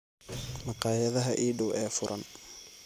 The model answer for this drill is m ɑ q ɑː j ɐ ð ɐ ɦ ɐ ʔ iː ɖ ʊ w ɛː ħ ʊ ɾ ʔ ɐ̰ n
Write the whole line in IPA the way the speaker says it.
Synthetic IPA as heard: m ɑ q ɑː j ɐ ð ɐ ɦ ɐ ʔ iː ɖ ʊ w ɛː f ʊ ɾ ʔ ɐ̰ n